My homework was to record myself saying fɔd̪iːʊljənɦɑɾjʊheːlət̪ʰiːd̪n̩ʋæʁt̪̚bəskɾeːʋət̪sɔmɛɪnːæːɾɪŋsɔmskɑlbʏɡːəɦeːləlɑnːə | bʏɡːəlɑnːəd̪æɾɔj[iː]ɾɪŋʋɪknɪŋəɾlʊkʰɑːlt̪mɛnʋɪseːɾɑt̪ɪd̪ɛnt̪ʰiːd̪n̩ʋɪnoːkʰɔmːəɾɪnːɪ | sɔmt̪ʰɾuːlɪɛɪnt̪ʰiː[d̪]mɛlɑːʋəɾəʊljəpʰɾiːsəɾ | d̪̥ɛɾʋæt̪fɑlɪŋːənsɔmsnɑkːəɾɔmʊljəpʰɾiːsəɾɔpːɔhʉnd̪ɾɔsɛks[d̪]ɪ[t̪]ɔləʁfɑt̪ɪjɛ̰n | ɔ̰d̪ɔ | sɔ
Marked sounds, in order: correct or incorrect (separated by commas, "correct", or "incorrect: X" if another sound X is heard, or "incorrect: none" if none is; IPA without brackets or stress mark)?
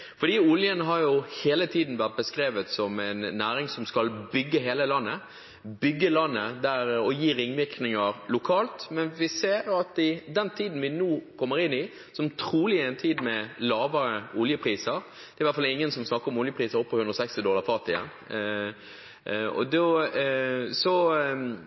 correct, correct, incorrect: t̪, incorrect: d̪